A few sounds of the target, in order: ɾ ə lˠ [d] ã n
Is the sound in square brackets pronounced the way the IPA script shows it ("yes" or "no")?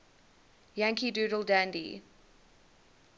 yes